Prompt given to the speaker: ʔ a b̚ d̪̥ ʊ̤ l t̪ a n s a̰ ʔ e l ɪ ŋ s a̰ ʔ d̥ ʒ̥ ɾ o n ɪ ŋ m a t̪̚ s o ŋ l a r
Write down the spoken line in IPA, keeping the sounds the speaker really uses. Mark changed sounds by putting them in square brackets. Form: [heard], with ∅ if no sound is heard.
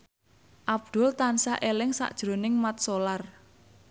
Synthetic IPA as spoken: ʔ a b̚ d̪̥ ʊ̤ l t̪ a n s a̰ ʔ e l ɪ ŋ s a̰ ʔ d̥ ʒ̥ ɾ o n ɪ ŋ m a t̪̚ s o [∅] l a r